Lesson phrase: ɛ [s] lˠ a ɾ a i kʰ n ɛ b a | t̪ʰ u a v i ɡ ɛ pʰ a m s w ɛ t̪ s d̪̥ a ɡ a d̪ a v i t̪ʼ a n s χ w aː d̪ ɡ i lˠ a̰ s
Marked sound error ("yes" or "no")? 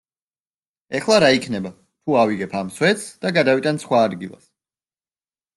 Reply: yes